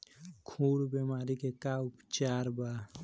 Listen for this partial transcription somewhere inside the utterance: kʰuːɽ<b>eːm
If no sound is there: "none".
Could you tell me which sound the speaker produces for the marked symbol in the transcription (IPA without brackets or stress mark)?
b